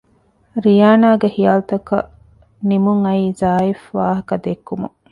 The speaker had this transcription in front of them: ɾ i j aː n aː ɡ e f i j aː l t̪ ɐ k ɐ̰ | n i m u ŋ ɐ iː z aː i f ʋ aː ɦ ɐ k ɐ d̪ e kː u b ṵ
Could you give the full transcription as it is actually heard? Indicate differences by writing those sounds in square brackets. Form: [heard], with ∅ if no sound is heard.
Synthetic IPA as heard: ɾ i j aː n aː ɡ e [h] i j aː l t̪ ɐ k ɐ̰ | n i m u ŋ ɐ iː z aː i f ʋ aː ɦ ɐ k ɐ d̪ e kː u [m] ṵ